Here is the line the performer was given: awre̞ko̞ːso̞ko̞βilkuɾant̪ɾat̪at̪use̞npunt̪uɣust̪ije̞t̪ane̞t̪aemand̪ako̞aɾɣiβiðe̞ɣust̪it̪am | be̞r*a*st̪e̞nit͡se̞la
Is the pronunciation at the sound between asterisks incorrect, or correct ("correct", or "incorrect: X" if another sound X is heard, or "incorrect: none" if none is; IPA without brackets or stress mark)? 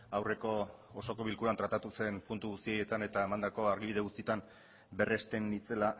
incorrect: e